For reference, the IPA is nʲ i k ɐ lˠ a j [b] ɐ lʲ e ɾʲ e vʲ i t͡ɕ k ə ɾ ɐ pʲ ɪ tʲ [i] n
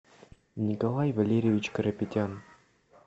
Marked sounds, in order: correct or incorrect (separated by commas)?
incorrect, incorrect